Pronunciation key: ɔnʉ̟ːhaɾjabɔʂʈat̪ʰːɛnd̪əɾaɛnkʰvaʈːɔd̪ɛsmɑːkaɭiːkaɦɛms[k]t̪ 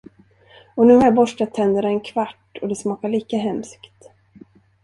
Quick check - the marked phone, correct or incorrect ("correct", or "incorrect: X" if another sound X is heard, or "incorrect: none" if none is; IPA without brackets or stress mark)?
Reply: correct